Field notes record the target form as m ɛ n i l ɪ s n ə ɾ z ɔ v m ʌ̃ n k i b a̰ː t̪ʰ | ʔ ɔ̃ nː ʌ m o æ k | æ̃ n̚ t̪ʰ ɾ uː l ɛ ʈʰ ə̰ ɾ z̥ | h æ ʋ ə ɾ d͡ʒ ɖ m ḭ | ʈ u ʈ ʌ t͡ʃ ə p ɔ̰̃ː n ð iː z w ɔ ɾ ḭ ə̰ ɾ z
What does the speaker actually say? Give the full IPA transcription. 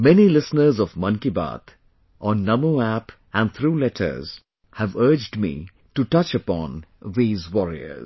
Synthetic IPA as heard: m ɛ n i l ɪ s n ə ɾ z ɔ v m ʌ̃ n k i b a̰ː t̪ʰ | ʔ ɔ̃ nː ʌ m o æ p | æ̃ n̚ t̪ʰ ɾ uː l ɛ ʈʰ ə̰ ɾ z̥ | h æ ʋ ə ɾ d͡ʒ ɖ m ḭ | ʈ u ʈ ʌ t͡ʃ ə p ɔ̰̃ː n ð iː z w ɔ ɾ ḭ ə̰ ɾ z